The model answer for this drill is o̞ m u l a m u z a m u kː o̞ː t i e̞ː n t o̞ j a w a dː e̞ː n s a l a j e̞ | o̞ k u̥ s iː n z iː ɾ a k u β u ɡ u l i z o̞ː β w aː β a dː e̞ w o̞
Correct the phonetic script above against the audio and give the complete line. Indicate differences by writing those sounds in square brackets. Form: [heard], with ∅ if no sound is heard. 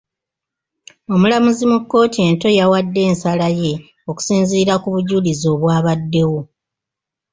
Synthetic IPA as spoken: o̞ m u l a m u z [i] m u kː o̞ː t i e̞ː n t o̞ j a w a dː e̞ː n s a l a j e̞ | o̞ k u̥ s iː n z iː ɾ a k u β u [ɟ] u l i z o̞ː β w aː β a dː e̞ w o̞